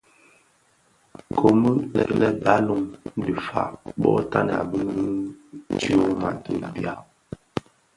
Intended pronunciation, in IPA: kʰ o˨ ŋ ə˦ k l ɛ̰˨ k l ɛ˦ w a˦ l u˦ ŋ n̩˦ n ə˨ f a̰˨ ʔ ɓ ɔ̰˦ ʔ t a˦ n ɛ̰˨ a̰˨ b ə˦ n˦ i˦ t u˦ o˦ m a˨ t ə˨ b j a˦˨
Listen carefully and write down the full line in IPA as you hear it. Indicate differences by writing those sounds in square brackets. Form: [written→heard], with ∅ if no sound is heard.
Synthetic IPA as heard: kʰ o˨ [ŋ→m] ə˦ [k→∅] l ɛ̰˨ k l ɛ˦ [w→b] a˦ l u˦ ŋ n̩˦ [n→d] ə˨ f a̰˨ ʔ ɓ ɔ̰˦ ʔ t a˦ n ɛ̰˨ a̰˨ b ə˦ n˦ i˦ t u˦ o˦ m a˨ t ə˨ b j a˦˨